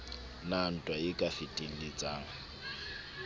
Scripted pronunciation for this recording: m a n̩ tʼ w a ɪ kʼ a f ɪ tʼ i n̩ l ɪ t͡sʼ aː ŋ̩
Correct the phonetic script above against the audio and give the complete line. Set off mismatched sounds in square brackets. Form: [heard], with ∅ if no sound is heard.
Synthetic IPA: [n] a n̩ tʼ w a ɪ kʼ a f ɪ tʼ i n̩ l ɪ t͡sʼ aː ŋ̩